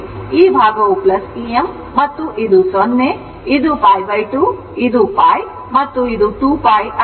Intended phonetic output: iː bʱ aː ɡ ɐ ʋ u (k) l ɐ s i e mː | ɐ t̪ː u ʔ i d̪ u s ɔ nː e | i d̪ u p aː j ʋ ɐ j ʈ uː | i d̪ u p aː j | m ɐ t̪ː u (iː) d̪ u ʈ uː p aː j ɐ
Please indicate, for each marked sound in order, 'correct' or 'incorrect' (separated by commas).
incorrect, incorrect